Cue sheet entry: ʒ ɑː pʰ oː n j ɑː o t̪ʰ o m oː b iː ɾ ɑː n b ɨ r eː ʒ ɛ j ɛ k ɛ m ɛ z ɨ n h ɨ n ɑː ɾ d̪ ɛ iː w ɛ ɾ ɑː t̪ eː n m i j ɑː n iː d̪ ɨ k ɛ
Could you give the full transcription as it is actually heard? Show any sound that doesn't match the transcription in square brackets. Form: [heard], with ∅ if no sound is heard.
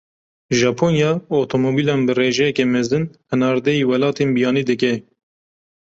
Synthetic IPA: ʒ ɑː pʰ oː n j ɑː o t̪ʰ o m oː b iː [l] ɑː n b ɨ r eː ʒ ɛ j ɛ k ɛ m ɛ z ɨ n h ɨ n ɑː ɾ d̪ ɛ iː w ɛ [l] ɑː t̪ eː n [b] i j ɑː n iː d̪ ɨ k ɛ